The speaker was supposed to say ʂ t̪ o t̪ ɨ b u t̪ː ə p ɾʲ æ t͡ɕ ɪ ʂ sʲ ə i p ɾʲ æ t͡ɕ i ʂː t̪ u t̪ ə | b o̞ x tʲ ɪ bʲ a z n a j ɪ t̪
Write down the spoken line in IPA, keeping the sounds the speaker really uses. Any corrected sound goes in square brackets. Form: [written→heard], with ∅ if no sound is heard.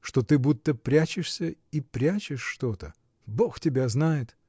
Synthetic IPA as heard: ʂ t̪ o t̪ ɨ b u t̪ː ə p ɾʲ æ t͡ɕ ɪ ʂ sʲ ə i p ɾʲ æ t͡ɕ [i→ɪ] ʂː t̪ [u→o] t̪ ə | b o̞ x tʲ ɪ bʲ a z n a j ɪ t̪